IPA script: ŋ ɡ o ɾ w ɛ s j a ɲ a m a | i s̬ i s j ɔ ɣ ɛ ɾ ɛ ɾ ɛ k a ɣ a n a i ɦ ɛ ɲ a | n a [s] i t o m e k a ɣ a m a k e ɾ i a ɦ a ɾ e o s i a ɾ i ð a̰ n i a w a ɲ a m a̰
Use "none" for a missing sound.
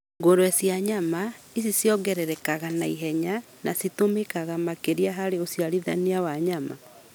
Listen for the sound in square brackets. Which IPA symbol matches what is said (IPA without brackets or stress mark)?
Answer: s